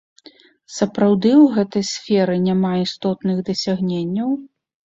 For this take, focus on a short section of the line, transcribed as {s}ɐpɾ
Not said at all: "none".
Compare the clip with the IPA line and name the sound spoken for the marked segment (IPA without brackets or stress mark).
s